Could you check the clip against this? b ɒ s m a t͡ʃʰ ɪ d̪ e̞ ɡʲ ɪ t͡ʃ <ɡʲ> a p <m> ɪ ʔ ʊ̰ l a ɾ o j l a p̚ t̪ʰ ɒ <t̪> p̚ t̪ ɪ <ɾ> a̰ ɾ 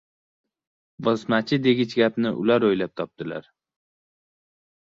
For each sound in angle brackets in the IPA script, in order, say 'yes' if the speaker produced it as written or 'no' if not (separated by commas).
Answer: yes, no, no, no